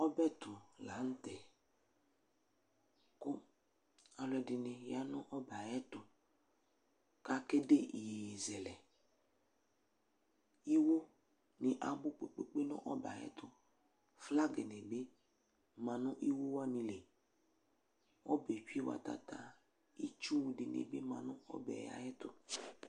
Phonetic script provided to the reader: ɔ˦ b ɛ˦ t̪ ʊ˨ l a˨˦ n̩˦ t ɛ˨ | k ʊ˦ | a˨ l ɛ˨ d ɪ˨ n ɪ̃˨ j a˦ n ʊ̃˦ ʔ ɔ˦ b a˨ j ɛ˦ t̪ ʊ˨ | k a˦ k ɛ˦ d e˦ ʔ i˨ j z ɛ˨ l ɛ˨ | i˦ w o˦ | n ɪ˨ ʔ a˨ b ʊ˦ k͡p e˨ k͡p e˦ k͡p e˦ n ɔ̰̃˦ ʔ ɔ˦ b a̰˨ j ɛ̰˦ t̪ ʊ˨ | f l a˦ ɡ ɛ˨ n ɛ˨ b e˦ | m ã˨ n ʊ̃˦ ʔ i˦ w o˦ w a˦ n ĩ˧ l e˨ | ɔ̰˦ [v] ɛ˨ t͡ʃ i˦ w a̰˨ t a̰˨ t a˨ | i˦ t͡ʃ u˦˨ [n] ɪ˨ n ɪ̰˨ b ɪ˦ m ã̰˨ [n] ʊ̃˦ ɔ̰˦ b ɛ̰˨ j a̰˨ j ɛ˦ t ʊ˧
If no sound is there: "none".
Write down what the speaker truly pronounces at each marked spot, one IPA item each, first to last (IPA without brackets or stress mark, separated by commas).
b, d, n